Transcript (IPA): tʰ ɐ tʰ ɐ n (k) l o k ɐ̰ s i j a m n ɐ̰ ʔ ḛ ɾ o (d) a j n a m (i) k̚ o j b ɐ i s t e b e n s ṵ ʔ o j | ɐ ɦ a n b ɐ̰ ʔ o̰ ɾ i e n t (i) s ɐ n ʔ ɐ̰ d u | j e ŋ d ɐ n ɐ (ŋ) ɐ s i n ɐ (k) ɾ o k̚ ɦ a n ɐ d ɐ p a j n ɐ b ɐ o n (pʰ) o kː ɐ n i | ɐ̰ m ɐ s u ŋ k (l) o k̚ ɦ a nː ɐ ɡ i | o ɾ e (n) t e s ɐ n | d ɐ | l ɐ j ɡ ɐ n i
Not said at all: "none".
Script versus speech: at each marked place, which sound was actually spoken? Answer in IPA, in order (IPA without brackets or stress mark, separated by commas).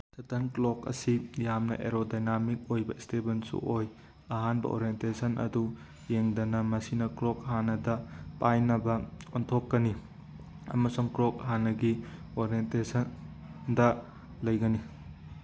k, d, i, e, m, k, tʰ, ɾ, n